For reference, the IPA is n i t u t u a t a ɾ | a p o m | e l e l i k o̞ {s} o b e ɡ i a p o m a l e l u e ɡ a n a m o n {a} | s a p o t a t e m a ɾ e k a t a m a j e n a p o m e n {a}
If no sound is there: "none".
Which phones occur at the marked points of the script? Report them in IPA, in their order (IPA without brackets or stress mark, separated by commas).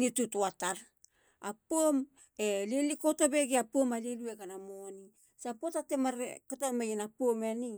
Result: t, i, i